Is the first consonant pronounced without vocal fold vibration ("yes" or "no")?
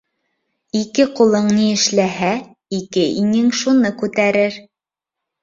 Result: yes